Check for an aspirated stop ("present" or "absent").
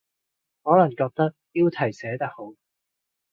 present